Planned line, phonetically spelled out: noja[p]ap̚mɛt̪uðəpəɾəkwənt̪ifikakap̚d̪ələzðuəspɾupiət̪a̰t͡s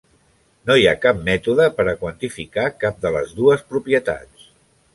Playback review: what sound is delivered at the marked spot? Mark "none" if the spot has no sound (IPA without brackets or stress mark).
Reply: k